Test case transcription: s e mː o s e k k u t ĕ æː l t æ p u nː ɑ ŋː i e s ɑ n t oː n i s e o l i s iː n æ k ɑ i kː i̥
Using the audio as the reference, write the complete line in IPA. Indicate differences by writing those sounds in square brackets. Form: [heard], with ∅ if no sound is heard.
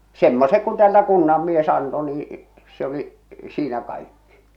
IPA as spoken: s e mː o s e k k u t ĕ æː l t æ [k] u nː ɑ [mː] i e s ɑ n t [o] n [iː] s e o l i s iː n æ k ɑ i kː i̥